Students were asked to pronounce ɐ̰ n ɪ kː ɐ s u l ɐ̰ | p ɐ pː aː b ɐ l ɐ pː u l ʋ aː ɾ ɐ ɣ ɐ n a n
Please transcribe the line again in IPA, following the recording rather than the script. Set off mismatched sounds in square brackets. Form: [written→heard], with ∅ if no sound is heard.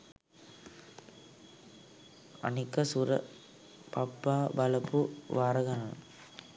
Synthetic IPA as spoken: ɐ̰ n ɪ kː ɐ s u [l→ɾ] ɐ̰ | p ɐ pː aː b ɐ l ɐ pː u [l→∅] ʋ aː ɾ ɐ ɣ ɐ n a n